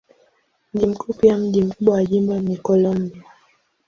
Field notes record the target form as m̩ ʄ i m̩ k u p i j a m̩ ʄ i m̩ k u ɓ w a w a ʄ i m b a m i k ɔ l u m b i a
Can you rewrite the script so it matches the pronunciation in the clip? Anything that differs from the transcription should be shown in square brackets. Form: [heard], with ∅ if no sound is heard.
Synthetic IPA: m̩ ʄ i m̩ k u p i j a m̩ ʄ i m̩ k u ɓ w a w a ʄ i m b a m i k ɔ l [ɔ] m b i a